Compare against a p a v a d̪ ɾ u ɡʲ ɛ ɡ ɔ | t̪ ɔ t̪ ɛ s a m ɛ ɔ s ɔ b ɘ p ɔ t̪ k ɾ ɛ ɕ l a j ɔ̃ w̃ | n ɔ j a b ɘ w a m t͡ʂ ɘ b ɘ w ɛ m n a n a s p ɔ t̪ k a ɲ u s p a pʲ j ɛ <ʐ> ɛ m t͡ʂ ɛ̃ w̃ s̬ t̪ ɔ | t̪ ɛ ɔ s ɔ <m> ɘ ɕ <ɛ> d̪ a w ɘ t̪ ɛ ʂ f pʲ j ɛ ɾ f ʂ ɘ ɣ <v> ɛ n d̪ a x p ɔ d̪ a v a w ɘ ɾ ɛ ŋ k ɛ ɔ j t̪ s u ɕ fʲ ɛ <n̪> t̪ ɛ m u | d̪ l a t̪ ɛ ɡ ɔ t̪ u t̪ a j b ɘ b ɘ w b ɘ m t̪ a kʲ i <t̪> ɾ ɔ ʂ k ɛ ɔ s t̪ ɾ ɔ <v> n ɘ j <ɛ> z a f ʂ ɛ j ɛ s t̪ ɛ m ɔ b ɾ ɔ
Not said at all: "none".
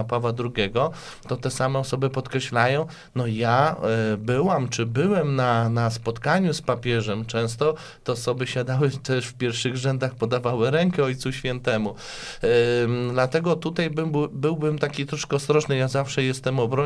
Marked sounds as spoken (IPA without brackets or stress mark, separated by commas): ʐ, b, a, ʐ, n̪, t̪, ʐ, a